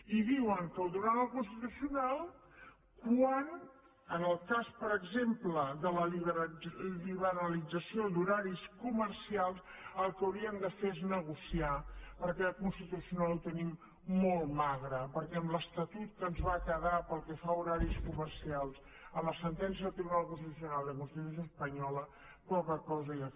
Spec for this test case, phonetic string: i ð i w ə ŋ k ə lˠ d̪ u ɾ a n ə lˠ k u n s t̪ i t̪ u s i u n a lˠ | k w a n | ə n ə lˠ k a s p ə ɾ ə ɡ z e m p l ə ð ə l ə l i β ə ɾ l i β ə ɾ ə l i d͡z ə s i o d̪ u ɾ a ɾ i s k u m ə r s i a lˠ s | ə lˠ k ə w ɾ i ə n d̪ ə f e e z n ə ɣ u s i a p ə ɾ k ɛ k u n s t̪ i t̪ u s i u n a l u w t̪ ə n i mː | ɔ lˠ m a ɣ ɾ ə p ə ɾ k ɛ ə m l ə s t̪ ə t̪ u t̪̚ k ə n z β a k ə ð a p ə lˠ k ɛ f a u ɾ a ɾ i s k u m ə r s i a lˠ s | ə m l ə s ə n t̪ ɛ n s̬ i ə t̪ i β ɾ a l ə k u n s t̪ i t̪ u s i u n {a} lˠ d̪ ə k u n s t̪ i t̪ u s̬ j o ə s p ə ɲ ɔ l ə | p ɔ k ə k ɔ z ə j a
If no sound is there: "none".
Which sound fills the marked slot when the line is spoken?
a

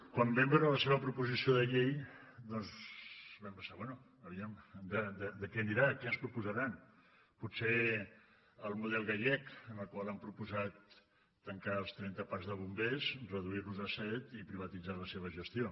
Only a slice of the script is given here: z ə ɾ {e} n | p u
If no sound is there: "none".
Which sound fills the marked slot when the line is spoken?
a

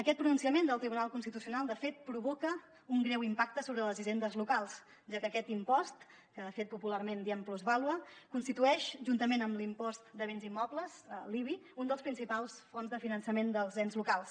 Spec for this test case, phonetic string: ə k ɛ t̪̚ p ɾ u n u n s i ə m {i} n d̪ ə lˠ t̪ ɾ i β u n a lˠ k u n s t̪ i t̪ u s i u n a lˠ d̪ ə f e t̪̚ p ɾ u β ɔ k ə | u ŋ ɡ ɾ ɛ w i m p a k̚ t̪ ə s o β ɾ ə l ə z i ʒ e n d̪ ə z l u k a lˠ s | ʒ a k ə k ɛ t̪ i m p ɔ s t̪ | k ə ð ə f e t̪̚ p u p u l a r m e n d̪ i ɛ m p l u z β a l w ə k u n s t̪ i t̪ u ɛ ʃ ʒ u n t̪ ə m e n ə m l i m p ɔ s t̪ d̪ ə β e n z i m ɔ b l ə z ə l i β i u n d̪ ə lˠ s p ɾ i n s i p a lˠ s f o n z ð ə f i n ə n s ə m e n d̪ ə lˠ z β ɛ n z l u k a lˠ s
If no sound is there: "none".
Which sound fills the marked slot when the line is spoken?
e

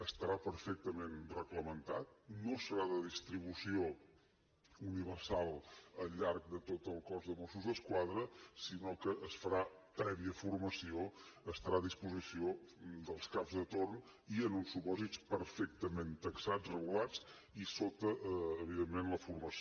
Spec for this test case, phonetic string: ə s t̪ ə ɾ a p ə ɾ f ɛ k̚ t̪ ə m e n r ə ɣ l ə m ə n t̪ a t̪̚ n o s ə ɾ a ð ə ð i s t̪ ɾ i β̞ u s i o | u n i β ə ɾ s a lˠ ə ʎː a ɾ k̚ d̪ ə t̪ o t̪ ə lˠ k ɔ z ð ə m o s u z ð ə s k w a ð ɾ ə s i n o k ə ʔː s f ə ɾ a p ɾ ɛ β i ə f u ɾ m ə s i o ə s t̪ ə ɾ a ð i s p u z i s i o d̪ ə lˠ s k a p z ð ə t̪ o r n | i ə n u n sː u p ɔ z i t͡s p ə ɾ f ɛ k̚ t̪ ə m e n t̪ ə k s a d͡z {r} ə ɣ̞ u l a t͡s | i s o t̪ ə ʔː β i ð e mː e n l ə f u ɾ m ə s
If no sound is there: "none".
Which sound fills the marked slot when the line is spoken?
r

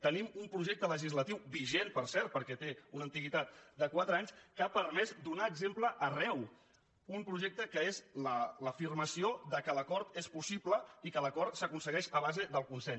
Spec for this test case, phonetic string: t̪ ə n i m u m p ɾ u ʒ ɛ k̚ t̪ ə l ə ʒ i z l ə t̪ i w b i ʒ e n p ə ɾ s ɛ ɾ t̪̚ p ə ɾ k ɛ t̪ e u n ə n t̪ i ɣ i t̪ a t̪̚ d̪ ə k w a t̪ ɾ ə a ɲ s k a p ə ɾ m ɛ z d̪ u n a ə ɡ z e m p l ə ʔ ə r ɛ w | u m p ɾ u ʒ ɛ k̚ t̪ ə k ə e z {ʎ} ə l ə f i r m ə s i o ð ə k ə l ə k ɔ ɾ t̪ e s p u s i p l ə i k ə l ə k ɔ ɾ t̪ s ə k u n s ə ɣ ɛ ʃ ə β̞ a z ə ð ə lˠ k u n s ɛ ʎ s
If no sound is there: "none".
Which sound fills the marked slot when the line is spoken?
l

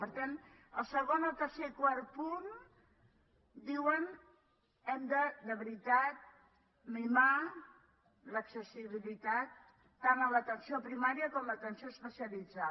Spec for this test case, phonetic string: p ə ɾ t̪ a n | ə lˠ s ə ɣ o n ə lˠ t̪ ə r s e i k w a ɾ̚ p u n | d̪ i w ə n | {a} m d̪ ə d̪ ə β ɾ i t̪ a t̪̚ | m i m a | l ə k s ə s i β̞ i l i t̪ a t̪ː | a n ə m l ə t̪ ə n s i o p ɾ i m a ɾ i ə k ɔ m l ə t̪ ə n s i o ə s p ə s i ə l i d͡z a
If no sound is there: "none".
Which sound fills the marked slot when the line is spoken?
ɛ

